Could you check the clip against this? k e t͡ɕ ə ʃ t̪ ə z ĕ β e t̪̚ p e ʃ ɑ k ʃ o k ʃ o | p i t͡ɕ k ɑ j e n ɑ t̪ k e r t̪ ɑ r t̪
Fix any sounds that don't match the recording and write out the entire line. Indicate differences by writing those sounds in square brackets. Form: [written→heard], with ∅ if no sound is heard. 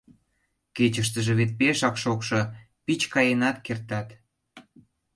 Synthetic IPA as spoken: k e t͡ɕ ə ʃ t̪ ə [z→ʒ] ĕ β e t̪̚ p e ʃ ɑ k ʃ o k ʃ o | p i t͡ɕ k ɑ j e n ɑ t̪ k e r t̪ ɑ [r→∅] t̪